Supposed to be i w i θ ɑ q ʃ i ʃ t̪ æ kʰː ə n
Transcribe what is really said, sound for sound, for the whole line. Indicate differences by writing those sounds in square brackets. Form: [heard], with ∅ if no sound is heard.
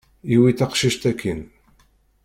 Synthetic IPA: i w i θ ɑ q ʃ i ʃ t̪ æ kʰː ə n